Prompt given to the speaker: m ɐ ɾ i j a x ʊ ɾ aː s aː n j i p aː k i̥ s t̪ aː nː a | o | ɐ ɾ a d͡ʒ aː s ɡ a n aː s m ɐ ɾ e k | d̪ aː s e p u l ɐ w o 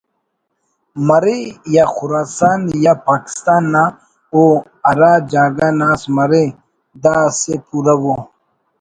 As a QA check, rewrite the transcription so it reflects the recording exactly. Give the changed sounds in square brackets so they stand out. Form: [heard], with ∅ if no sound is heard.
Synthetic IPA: m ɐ ɾ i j a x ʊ ɾ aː s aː n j [a] p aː k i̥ s t̪ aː nː a | o | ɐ ɾ a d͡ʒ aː [∅] ɡ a n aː s m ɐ ɾ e [∅] | d̪ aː s e p u [ɾ] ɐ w o